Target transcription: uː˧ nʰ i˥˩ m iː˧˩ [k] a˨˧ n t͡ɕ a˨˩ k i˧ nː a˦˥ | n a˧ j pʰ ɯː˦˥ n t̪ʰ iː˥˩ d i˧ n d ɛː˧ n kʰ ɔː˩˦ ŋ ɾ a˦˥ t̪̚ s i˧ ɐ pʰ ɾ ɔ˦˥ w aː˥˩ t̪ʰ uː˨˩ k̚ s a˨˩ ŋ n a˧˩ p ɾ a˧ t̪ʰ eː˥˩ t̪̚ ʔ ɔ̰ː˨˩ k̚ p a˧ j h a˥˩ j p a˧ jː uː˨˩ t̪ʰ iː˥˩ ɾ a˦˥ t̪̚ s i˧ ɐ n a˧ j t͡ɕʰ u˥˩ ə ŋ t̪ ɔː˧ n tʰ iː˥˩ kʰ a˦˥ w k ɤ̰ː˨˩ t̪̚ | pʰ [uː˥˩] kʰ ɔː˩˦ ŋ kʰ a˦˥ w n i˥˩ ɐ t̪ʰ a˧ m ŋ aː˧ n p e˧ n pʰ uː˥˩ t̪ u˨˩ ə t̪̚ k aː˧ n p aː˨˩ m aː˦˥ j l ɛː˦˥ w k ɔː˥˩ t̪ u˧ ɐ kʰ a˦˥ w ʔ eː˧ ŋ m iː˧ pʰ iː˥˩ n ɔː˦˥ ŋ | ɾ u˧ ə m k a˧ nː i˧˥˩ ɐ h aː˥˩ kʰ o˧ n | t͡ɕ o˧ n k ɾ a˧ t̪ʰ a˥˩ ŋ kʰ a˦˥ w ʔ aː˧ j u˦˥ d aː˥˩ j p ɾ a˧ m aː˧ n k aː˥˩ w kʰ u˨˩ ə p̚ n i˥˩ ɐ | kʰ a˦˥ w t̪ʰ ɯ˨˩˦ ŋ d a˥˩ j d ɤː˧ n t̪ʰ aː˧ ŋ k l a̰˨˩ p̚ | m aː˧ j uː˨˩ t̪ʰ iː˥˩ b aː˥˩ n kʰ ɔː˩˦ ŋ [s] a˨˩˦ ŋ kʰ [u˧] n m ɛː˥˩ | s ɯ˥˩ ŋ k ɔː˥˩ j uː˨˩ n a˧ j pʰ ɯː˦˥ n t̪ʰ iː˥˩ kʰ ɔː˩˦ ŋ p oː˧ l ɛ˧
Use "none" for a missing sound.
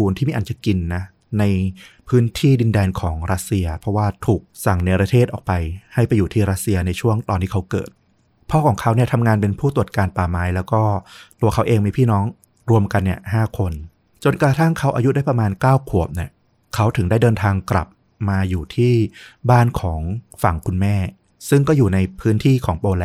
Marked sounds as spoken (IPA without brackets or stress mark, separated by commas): ʔ, ɔː˥˩, f, u˧